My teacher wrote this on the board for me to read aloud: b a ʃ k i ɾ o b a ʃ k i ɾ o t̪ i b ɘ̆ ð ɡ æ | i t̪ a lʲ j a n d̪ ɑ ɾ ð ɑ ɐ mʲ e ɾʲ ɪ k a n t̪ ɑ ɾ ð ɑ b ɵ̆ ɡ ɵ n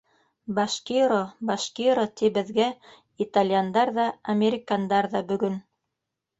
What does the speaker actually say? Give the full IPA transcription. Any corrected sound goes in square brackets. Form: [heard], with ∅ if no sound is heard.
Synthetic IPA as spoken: b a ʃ k i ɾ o b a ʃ k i ɾ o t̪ i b ɘ̆ ð ɡ æ | i t̪ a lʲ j a n d̪ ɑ ɾ ð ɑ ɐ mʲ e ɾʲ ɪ k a n [d̪] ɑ ɾ ð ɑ b ɵ̆ ɡ ɵ n